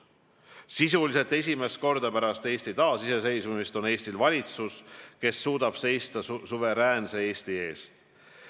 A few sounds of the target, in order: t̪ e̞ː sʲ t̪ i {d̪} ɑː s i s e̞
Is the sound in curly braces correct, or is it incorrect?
incorrect